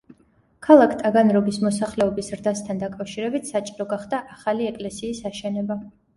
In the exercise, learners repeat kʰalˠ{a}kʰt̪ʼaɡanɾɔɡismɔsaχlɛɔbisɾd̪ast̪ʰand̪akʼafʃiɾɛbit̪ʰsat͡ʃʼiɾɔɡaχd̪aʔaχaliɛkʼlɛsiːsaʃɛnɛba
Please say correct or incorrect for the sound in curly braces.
correct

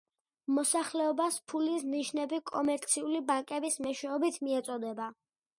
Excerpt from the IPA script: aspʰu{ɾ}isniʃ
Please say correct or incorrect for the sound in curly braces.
incorrect: l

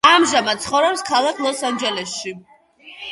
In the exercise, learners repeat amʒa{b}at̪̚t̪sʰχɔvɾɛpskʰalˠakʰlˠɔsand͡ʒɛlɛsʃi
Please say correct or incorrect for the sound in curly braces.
incorrect: m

